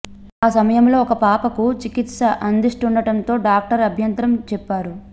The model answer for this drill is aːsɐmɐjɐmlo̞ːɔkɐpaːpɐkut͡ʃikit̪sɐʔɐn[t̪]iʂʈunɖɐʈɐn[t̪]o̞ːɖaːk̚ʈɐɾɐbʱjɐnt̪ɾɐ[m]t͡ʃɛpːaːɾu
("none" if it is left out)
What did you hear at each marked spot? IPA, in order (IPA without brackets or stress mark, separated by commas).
d̪, t̪, m